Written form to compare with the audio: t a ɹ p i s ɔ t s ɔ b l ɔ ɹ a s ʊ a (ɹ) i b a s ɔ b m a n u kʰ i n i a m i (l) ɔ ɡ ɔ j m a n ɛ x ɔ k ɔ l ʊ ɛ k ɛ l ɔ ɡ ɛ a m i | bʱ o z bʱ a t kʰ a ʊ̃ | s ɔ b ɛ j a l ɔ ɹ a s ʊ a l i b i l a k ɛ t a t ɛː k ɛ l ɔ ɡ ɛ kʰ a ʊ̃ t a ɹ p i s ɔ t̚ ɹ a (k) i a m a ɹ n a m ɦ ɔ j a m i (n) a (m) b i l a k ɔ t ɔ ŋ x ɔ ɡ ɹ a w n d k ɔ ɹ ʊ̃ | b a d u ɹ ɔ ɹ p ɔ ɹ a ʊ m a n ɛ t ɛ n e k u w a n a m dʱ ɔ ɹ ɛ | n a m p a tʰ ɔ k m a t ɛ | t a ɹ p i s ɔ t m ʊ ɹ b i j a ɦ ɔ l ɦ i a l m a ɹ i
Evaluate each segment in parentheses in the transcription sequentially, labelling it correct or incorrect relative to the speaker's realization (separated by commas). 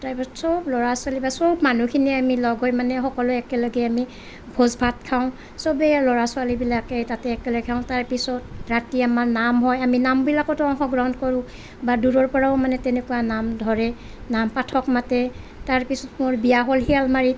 incorrect, correct, incorrect, correct, correct